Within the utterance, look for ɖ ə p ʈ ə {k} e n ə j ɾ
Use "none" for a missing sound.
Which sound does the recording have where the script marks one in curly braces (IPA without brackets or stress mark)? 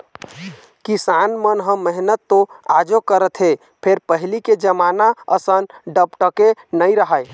k